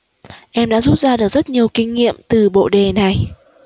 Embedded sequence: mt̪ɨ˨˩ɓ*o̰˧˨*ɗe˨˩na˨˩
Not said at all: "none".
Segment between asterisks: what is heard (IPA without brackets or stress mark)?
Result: o̰˧˨